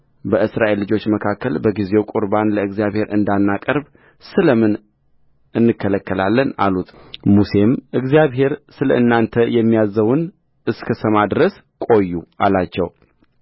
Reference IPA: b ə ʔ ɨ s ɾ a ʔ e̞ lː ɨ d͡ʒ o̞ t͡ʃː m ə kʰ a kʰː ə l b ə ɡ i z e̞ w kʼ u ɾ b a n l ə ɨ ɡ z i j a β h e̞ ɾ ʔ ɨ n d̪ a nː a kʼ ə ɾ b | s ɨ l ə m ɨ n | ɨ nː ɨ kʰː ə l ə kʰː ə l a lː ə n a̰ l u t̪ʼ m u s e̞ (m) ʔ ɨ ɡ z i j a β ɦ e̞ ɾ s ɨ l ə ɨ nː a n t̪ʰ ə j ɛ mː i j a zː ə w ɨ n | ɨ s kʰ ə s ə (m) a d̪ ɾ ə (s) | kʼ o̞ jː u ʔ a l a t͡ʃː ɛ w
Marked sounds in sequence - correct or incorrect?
correct, correct, correct

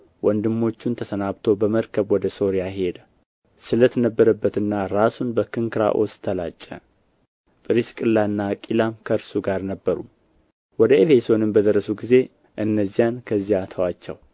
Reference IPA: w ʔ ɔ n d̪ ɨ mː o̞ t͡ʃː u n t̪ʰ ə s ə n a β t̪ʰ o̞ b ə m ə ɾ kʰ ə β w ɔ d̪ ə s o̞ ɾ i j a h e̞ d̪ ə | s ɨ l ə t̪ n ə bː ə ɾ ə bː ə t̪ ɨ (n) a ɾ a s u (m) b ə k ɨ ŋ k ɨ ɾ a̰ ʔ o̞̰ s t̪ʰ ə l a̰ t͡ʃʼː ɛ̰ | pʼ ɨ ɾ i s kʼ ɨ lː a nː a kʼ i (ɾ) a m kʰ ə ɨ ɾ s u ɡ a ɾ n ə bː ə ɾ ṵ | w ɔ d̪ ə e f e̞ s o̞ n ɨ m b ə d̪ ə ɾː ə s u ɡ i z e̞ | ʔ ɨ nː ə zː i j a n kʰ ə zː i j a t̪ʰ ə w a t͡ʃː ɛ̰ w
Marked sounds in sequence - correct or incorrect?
incorrect: nː, incorrect: n, incorrect: l

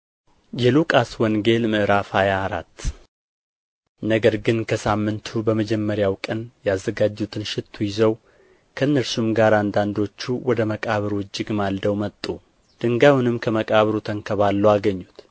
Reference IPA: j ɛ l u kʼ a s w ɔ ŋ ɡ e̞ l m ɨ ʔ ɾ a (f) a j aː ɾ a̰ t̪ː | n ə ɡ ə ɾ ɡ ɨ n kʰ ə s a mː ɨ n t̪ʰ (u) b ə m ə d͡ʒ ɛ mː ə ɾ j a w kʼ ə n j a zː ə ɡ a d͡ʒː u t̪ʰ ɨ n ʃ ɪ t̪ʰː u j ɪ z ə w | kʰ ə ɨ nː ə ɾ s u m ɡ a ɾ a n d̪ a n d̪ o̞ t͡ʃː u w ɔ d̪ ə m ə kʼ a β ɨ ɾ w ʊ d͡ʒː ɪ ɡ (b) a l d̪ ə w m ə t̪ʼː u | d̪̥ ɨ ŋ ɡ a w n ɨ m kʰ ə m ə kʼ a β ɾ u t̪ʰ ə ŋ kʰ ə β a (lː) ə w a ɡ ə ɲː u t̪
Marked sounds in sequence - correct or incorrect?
correct, correct, incorrect: m, correct

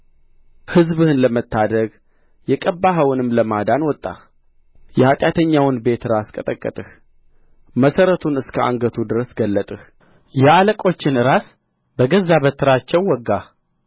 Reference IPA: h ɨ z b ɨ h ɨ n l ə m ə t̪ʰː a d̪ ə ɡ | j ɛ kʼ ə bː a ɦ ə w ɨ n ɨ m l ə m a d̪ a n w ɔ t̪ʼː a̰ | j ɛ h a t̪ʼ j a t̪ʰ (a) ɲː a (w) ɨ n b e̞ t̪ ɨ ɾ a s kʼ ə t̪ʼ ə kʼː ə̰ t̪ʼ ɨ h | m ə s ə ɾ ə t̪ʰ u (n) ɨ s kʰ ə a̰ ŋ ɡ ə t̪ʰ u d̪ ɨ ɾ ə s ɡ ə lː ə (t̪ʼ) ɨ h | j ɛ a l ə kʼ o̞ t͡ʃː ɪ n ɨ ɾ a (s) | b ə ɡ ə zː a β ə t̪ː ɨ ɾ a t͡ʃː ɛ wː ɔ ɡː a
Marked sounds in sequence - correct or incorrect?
incorrect: ə, correct, correct, correct, correct

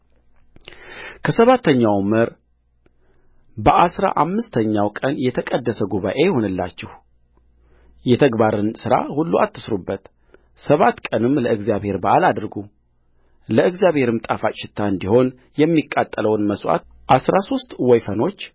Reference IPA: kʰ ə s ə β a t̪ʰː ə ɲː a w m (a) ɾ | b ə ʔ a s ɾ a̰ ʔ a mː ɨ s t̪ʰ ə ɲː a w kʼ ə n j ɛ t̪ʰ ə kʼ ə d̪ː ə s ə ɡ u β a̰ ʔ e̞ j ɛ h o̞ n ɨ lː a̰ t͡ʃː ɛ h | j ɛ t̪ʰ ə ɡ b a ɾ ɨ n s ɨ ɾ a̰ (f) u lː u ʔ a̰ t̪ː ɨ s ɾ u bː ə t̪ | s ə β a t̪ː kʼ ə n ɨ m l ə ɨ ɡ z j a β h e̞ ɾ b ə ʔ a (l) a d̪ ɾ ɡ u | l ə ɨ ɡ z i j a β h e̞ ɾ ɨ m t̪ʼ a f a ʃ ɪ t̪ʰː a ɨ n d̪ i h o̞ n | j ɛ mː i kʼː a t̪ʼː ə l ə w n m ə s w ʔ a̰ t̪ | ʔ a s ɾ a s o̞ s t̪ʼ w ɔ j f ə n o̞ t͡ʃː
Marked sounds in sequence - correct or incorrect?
incorrect: ə, incorrect: h, correct

